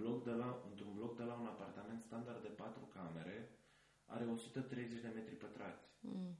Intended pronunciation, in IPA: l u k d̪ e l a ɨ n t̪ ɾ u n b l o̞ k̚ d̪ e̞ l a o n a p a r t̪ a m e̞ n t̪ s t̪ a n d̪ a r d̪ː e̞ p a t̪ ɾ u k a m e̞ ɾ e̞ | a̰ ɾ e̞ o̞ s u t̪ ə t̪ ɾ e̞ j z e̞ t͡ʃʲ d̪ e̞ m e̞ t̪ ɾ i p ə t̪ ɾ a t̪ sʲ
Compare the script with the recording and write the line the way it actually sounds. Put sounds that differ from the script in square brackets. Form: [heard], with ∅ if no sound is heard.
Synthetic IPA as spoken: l [o] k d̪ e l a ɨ n t̪ ɾ u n b l o̞ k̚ d̪ e̞ l a [u] n a p a r t̪ a m e̞ n t̪ s t̪ a n d̪ a r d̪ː e̞ p a t̪ ɾ u k a m e̞ ɾ e̞ | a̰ ɾ e̞ o̞ s u t̪ ə t̪ ɾ e̞ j z e̞ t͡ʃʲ d̪ e̞ m e̞ t̪ ɾ i p ə t̪ ɾ a t̪ sʲ